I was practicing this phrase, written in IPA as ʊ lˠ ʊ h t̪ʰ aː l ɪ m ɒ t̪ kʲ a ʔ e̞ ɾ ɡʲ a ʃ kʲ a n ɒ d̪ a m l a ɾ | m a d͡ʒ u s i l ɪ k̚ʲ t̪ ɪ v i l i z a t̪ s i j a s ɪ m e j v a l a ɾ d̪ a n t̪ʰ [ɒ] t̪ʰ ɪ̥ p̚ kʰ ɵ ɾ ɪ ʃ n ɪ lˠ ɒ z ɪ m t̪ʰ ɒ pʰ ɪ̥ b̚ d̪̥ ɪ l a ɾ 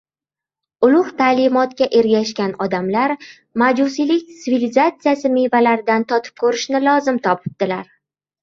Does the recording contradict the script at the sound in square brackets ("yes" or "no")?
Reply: no